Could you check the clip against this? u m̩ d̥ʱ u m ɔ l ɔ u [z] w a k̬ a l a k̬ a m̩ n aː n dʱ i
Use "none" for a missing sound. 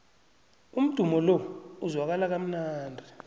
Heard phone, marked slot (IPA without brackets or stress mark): z